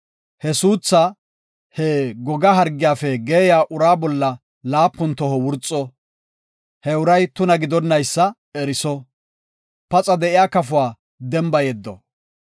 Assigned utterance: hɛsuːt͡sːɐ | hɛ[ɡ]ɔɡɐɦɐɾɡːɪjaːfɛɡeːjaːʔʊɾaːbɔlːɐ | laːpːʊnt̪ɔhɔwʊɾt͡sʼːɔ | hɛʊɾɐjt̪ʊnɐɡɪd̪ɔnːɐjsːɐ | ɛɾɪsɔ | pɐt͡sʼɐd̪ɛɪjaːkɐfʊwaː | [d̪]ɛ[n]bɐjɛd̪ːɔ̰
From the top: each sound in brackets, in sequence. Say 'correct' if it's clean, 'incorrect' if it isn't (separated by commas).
correct, correct, incorrect